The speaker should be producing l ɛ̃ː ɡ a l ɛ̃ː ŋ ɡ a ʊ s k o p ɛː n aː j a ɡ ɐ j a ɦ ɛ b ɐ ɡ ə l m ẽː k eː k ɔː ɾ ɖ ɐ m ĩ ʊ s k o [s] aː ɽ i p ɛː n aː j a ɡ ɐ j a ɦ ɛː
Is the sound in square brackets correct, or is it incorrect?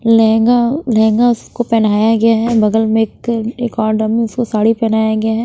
correct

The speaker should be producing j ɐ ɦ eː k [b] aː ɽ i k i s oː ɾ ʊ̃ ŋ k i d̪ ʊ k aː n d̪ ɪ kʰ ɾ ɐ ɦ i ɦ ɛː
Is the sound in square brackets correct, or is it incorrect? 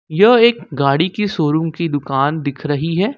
incorrect: ɡ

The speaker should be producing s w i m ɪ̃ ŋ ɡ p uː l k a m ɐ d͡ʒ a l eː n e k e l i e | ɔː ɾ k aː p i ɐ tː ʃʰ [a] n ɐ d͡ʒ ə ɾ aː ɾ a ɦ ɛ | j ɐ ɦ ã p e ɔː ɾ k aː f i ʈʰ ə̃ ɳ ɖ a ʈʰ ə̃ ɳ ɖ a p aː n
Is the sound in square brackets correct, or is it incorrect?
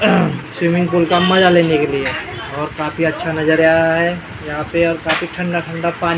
correct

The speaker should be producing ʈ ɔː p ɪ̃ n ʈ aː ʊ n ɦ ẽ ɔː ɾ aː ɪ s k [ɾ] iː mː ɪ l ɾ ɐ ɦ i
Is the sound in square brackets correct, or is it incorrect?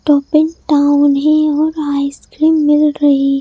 correct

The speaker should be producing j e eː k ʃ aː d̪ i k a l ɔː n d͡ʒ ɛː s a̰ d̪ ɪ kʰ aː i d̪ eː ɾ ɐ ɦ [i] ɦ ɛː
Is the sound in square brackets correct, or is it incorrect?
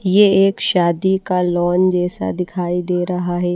incorrect: a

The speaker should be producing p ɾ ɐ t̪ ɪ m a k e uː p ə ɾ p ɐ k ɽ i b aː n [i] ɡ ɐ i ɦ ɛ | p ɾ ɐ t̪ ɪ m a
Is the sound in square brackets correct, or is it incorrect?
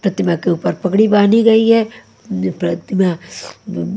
correct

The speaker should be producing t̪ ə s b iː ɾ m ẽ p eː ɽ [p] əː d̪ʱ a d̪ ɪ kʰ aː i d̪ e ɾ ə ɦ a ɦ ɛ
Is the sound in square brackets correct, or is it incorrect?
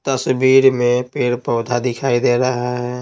correct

